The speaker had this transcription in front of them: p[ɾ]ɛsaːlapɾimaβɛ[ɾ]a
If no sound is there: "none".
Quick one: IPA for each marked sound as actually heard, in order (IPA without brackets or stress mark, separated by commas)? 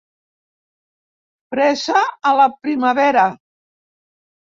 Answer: ɾ, ɾ